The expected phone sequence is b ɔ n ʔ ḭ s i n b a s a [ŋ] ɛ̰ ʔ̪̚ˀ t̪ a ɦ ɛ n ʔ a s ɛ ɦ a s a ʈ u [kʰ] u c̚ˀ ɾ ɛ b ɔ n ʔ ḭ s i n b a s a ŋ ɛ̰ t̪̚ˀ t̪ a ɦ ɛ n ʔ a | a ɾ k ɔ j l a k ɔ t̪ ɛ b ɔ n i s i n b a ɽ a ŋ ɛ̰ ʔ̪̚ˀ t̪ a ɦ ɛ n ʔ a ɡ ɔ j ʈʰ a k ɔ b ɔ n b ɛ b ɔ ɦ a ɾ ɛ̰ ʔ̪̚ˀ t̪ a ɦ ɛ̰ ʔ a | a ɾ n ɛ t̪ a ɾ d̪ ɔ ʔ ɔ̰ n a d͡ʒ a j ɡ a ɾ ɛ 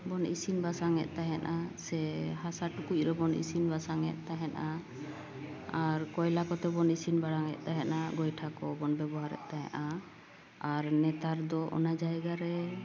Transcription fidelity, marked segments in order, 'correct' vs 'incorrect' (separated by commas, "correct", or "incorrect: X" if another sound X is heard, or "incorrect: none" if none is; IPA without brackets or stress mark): correct, incorrect: k